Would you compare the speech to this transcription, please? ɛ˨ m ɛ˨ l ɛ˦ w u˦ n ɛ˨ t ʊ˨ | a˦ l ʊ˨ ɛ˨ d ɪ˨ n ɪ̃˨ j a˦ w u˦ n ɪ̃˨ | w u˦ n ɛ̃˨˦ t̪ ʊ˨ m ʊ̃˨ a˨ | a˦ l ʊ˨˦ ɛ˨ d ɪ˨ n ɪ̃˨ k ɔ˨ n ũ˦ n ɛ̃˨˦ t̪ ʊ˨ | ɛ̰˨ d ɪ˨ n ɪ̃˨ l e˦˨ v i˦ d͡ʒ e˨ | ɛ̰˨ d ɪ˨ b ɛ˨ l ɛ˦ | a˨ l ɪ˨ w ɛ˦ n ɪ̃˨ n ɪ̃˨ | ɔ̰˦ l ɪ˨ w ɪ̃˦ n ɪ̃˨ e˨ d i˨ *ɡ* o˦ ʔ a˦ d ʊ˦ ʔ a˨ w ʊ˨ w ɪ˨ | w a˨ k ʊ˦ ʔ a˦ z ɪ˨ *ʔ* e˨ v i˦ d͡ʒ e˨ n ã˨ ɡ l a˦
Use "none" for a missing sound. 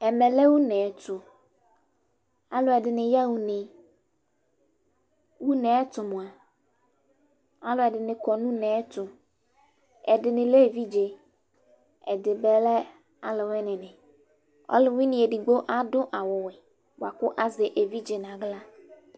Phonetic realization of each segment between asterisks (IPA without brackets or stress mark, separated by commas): ɡ͡b, ʔ